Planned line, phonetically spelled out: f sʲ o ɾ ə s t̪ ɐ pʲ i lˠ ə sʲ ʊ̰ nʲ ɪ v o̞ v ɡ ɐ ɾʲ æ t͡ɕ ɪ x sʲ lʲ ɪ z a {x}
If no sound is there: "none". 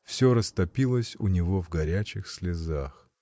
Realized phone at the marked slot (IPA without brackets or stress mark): x